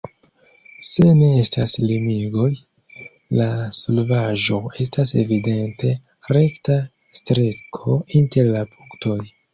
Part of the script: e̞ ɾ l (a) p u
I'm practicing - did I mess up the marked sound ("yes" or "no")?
no